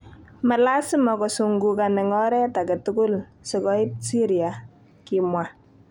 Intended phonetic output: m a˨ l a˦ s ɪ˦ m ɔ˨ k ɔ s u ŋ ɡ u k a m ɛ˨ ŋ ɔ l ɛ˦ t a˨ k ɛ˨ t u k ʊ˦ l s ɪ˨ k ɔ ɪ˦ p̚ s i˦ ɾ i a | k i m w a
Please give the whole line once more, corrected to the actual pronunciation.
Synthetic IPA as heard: m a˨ l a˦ s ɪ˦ m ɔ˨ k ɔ s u ŋ ɡ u k a n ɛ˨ ŋ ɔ ɾ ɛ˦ t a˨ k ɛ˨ t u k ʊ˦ l s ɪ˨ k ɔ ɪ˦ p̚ s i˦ ɾ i a | k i m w a